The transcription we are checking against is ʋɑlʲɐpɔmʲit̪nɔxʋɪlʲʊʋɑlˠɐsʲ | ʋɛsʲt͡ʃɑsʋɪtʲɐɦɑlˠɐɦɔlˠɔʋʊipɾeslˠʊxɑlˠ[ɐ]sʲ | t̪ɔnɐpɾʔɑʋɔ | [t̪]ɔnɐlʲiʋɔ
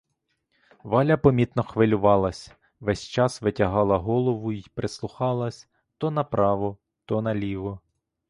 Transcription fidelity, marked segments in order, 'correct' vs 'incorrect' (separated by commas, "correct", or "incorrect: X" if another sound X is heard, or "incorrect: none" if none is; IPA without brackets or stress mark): correct, correct